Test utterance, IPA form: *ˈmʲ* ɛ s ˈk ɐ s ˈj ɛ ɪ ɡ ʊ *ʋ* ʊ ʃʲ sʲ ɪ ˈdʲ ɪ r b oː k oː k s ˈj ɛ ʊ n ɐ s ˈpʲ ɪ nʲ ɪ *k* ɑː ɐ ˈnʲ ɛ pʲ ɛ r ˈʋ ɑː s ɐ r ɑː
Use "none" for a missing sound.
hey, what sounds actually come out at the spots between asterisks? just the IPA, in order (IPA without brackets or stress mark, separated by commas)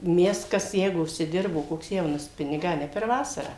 mʲ, none, ɡ